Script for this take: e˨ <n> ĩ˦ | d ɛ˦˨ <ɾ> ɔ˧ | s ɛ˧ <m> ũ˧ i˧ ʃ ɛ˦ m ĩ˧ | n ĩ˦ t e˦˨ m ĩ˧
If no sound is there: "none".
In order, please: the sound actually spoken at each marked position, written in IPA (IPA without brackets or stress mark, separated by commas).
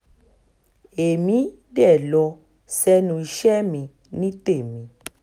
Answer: m, l, n